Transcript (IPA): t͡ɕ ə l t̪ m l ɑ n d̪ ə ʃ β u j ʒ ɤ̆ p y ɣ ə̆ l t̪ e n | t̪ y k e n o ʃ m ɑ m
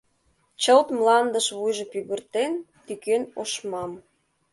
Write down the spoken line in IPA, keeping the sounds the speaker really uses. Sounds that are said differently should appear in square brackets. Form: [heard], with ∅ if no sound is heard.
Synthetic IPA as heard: t͡ɕ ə l t̪ m l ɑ n d̪ ə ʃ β u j ʒ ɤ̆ p y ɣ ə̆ [r] t̪ e n | t̪ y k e n o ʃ m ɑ m